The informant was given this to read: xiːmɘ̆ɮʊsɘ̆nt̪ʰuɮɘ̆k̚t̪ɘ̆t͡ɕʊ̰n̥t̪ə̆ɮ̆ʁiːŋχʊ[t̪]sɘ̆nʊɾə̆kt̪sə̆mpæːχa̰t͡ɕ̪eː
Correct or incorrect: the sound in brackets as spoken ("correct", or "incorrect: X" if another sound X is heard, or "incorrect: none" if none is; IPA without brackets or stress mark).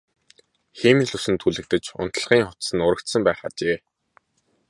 correct